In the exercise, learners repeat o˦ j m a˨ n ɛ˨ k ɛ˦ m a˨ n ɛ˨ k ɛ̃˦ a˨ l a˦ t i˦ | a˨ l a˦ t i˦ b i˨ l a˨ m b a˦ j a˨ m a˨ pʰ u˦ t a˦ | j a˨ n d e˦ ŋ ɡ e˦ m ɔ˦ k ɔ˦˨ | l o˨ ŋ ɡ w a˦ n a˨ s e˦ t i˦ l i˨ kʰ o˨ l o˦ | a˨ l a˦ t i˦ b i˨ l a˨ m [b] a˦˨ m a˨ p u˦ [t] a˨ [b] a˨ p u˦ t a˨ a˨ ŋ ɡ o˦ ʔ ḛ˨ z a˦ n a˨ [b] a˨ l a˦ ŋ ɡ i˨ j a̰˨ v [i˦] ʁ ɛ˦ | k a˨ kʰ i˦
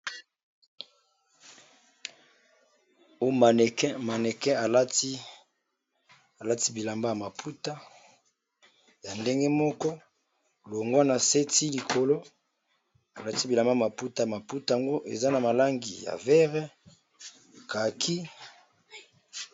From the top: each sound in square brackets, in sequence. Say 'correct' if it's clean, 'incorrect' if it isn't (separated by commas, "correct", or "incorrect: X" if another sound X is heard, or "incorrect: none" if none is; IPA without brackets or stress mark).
correct, correct, incorrect: m, incorrect: m, incorrect: ɛ˦